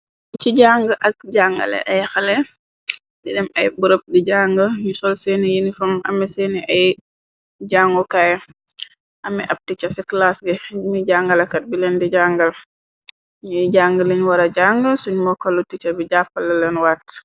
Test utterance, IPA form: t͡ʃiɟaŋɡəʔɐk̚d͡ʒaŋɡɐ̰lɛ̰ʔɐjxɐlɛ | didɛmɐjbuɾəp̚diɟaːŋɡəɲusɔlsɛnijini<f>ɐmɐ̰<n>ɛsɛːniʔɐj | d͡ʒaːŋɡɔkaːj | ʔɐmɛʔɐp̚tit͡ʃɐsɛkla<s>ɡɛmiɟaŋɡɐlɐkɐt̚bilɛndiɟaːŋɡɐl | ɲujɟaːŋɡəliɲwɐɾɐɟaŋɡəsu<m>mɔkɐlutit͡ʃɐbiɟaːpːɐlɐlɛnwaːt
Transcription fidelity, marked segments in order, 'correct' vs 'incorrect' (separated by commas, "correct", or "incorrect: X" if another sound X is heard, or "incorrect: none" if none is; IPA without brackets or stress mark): correct, incorrect: m, correct, incorrect: ɲ